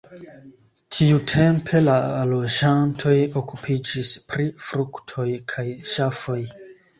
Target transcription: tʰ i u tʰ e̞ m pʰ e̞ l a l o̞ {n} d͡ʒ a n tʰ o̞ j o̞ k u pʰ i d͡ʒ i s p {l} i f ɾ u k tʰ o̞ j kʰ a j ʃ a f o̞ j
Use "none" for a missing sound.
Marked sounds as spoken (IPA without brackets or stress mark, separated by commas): none, ɾ